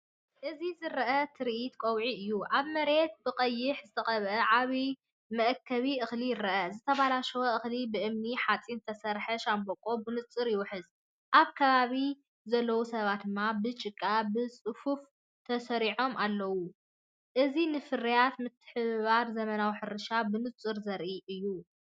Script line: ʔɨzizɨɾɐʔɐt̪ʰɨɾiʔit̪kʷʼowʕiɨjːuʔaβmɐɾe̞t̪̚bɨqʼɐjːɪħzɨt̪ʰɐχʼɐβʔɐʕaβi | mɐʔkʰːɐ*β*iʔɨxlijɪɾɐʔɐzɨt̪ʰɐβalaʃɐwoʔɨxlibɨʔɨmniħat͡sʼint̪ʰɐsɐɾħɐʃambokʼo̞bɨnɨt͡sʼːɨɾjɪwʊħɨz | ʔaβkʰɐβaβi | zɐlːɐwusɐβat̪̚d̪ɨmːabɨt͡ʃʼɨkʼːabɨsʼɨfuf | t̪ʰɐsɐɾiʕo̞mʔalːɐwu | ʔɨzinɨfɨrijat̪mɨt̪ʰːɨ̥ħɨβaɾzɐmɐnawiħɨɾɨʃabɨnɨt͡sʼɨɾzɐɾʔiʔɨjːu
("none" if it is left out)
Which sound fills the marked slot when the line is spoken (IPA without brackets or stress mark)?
β